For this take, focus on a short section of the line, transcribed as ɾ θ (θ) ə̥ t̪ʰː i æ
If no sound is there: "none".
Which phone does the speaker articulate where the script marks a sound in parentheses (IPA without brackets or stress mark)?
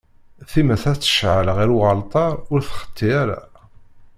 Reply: χ